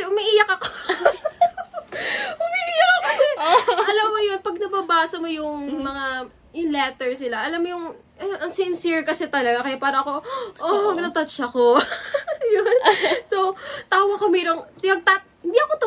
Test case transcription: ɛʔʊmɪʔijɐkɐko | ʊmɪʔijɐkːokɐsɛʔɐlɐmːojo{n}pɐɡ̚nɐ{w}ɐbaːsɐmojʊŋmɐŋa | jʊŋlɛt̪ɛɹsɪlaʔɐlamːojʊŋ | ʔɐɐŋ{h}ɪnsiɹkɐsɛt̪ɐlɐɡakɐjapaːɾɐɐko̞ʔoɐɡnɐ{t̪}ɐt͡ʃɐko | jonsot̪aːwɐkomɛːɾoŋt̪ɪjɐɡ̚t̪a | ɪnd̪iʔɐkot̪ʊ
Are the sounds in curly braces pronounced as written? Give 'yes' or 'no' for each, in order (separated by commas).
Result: yes, no, no, yes